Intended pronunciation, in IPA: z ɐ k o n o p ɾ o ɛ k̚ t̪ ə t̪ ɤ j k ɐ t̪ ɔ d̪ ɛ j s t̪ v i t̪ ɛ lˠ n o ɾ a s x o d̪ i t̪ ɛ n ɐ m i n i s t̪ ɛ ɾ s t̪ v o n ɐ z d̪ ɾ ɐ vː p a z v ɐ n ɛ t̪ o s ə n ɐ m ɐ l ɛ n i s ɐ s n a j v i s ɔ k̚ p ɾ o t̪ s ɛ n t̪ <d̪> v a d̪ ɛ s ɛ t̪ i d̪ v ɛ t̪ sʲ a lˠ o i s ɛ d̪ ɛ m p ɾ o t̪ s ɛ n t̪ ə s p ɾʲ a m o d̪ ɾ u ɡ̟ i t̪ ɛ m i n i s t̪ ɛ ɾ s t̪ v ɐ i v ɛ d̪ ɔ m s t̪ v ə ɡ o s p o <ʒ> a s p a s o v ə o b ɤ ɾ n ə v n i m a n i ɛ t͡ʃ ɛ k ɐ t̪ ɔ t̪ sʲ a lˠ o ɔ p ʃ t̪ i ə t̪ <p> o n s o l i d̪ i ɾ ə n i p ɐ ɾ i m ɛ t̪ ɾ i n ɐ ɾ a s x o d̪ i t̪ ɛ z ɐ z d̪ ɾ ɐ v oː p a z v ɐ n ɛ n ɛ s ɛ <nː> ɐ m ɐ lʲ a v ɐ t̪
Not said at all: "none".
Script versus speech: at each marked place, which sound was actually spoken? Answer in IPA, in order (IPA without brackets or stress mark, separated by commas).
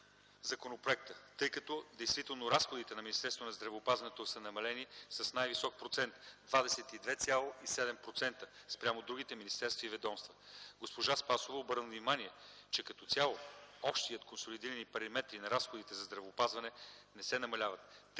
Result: d̪, ʒ, k, n